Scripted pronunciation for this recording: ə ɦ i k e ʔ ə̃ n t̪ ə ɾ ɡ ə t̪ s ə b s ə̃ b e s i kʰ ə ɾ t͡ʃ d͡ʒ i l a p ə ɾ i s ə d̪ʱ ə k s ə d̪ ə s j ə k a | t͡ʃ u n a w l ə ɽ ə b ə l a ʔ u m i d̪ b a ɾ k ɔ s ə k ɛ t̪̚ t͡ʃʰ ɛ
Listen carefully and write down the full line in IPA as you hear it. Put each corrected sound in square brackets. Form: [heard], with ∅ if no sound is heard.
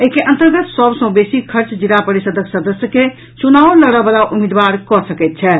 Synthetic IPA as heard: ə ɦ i k e ʔ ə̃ n t̪ ə ɾ ɡ ə t̪ s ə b s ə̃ b e s i kʰ ə ɾ t͡ʃ d͡ʒ i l a p ə ɾ i s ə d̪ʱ ə k s ə d̪ ə s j ə k [e] | t͡ʃ u n a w l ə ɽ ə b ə l a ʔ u m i d̪ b a ɾ k ɔ s ə k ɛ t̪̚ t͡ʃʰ ɛ

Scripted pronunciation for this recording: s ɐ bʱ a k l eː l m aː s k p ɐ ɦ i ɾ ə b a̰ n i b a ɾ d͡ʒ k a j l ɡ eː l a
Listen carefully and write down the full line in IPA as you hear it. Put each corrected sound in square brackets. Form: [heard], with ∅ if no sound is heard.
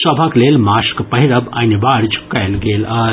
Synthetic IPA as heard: s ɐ bʱ a k l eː l m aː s k p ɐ ɦ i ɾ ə b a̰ n i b a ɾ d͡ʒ k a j l ɡ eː l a

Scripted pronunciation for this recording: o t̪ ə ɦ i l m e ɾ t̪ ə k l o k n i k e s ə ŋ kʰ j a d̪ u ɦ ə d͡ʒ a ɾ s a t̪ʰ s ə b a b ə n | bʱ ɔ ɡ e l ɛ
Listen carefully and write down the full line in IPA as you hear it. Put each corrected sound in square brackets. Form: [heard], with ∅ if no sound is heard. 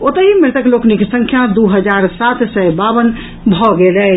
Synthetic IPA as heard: o t̪ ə ɦ i [∅] m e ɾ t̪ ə k l o k n i k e s ə ŋ kʰ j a d̪ u ɦ ə d͡ʒ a ɾ s a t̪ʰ s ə b a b ə n | bʱ ɔ ɡ e l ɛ

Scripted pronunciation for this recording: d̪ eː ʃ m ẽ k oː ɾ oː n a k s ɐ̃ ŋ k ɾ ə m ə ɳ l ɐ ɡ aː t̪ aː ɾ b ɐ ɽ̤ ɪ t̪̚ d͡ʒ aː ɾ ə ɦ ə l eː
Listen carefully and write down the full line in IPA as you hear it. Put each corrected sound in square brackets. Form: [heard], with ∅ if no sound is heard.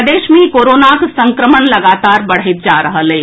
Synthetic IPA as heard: d̪ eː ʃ m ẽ k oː ɾ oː n a k s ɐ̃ ŋ k ɾ ə m ə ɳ l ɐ ɡ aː t̪ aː ɾ b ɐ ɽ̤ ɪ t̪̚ d͡ʒ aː ɾ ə ɦ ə l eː

